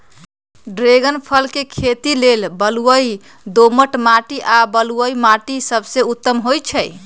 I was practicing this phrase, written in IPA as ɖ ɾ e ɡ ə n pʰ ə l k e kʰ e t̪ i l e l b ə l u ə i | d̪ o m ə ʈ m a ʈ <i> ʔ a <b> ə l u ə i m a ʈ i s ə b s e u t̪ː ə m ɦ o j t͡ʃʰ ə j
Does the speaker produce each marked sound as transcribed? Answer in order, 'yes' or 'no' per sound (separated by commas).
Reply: yes, yes